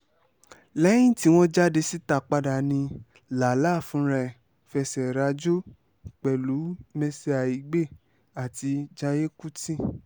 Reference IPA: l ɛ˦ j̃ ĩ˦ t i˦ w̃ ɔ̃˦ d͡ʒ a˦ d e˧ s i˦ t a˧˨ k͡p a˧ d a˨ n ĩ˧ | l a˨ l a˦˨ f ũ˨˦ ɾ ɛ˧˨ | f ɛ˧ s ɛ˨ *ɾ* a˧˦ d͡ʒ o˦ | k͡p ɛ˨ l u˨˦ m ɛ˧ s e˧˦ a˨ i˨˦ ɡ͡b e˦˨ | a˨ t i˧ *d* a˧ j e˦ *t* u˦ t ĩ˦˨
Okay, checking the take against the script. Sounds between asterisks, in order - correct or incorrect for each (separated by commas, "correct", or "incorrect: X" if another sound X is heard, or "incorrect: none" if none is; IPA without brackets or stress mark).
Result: correct, incorrect: d͡ʒ, incorrect: k